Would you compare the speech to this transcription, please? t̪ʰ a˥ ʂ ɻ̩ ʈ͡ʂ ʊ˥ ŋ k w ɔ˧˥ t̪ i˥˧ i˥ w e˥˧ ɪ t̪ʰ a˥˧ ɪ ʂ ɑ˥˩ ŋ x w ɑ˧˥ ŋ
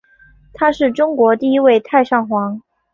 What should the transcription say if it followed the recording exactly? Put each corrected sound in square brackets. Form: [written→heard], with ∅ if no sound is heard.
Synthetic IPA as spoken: t̪ʰ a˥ ʂ ɻ̩ ʈ͡ʂ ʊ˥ ŋ k w ɔ˧˥ t̪ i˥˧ i˥ w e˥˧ ɪ t̪ʰ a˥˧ ɪ ʂ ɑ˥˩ ŋ x w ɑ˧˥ ŋ